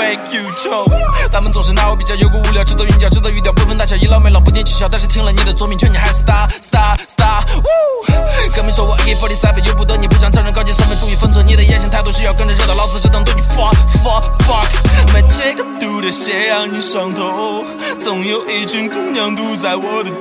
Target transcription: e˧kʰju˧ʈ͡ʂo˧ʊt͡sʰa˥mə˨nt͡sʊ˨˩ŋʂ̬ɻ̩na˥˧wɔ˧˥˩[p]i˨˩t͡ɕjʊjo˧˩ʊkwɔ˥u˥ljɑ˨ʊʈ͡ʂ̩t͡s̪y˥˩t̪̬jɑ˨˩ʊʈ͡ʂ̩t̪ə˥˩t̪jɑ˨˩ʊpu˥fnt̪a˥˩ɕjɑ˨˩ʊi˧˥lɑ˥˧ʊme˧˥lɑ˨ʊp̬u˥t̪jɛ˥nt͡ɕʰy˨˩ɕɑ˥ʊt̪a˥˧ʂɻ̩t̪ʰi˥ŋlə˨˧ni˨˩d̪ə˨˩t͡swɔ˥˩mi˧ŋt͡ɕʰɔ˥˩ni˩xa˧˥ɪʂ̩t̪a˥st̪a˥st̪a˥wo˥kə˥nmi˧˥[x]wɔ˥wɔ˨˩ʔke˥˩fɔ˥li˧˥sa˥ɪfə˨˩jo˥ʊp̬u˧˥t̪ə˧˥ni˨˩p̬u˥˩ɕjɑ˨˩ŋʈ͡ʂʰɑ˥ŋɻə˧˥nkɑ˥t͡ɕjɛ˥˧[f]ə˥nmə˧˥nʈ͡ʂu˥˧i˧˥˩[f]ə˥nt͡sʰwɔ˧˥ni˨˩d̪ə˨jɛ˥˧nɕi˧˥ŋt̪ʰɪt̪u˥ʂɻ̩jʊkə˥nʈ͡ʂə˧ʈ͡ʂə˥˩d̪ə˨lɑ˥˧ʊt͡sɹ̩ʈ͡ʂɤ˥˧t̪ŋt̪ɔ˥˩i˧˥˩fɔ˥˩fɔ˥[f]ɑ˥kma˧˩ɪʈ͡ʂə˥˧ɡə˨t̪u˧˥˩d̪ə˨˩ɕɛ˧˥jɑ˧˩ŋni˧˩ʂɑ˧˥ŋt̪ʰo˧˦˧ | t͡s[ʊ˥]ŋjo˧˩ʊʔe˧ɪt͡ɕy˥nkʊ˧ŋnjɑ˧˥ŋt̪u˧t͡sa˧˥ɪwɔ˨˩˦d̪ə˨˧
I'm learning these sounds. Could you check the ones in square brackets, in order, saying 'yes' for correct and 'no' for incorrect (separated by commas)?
yes, no, no, yes, yes, no